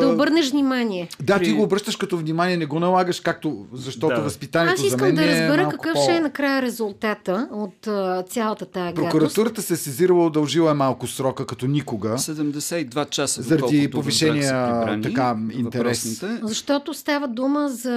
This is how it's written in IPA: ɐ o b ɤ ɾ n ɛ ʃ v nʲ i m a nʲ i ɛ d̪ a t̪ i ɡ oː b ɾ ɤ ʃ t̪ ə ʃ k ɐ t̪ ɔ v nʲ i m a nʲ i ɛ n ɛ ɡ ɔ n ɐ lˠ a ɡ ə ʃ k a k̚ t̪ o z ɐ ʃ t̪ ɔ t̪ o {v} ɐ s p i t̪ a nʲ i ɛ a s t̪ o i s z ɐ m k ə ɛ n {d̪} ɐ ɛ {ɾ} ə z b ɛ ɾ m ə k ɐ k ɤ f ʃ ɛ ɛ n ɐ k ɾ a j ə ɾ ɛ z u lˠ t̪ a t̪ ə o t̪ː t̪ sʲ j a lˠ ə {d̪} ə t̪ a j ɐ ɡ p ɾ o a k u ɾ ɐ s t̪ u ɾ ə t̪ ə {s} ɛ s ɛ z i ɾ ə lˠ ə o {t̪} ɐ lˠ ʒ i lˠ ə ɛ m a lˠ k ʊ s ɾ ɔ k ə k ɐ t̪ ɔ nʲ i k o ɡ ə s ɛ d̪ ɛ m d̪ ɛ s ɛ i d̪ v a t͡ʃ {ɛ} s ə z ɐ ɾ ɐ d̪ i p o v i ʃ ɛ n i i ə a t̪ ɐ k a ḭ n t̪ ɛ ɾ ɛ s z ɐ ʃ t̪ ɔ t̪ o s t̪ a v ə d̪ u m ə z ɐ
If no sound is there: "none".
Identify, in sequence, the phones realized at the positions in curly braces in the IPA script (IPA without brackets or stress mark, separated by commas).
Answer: v, d̪, ɾ, t̪, s, d̪, a